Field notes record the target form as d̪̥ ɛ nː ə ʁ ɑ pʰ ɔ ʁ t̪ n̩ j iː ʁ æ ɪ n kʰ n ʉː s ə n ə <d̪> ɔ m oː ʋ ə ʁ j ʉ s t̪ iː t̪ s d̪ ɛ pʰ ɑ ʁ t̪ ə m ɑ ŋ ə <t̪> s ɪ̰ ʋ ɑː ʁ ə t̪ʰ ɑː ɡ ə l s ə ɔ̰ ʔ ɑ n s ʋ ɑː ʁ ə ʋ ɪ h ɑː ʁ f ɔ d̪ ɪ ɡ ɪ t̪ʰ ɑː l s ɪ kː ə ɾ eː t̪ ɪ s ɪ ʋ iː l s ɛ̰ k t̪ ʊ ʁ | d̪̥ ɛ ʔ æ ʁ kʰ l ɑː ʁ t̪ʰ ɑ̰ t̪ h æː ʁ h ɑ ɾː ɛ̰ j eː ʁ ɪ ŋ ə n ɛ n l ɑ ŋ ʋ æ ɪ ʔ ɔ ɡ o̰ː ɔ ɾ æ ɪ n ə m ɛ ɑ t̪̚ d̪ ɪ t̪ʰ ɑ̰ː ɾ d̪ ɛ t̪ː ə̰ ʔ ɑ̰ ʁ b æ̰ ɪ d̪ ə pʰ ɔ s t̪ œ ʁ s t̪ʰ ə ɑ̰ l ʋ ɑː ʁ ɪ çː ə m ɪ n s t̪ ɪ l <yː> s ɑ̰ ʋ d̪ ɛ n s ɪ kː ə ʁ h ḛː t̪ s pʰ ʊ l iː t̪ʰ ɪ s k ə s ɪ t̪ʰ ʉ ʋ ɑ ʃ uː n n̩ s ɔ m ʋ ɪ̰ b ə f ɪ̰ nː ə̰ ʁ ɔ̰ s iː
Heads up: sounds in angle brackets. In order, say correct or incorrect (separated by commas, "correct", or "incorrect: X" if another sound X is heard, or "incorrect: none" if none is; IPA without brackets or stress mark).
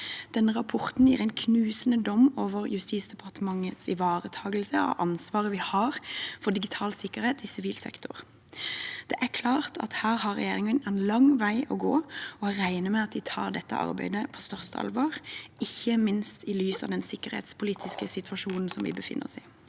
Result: correct, correct, correct